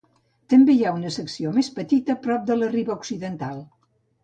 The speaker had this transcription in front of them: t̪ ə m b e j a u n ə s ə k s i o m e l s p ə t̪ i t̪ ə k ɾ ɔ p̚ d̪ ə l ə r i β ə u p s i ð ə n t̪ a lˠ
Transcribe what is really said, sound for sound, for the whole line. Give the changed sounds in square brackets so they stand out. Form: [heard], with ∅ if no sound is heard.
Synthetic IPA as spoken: t̪ ə m b e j a u n ə s ə k s i o m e [∅] s p ə t̪ i t̪ ə [p] ɾ ɔ p̚ d̪ ə l ə r i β ə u [k] s i ð ə n t̪ a lˠ